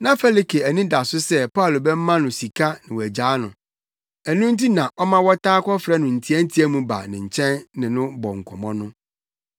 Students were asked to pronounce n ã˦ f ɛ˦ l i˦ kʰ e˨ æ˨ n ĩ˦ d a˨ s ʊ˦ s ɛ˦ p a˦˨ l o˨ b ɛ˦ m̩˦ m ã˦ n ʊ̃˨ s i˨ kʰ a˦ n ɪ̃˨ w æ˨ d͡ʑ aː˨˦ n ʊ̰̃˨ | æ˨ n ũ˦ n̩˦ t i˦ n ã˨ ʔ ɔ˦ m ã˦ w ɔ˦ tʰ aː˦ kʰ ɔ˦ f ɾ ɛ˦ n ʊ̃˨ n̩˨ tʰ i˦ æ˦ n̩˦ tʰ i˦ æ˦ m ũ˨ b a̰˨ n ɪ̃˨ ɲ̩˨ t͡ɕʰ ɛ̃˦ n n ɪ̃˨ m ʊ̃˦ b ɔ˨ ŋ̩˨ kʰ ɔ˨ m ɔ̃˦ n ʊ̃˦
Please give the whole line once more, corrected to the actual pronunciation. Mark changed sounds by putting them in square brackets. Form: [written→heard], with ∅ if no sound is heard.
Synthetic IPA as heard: n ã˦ f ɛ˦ l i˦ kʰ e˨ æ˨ n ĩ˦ d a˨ s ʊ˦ s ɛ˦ p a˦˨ l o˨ b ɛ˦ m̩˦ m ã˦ n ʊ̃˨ s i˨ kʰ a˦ n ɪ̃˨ w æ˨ d͡ʑ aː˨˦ n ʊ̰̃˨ | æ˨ n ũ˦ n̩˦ t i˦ n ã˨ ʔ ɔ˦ m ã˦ w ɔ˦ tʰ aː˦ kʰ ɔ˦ f ɾ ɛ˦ n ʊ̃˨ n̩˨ tʰ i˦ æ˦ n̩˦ tʰ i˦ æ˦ m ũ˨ b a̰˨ n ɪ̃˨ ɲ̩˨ t͡ɕʰ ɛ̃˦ n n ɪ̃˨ [m→n] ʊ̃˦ b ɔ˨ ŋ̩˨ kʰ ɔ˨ m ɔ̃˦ n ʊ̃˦